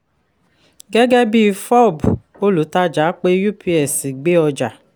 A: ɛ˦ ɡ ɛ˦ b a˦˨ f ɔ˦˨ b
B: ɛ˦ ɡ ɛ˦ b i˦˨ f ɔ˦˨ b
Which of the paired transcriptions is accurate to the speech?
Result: B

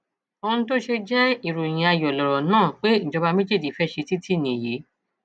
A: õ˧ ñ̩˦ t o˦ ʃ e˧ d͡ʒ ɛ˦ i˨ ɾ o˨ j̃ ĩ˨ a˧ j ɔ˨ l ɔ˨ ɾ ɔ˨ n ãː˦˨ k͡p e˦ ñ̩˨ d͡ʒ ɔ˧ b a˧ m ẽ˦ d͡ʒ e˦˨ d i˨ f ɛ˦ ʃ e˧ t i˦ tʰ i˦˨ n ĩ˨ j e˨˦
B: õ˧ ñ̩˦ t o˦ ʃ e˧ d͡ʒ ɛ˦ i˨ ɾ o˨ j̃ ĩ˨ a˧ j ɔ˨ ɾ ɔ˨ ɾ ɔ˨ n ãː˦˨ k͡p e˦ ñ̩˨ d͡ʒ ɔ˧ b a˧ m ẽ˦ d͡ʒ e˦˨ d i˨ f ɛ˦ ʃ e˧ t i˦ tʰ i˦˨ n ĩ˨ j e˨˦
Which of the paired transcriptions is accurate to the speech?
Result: A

